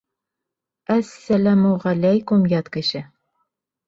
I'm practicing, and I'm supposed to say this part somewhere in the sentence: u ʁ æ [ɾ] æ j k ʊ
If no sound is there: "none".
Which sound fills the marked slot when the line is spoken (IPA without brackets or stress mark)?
l